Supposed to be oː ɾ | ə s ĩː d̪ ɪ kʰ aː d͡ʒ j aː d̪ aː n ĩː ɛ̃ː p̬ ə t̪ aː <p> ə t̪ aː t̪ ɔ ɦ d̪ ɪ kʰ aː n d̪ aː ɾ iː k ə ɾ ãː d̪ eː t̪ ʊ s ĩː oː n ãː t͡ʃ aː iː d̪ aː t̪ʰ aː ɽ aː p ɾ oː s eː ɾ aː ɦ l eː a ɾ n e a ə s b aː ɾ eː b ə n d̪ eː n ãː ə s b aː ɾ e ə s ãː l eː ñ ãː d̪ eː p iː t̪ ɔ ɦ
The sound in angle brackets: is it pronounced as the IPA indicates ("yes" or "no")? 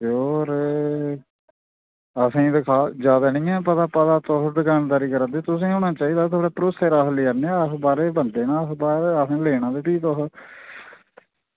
yes